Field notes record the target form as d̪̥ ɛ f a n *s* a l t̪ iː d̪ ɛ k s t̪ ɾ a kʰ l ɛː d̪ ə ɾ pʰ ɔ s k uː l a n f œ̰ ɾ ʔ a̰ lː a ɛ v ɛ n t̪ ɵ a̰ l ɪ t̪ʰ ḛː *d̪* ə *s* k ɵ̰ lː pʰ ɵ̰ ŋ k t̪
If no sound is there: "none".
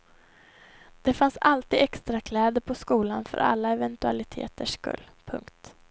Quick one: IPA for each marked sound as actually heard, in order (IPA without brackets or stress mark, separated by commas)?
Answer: s, t̪, ʂ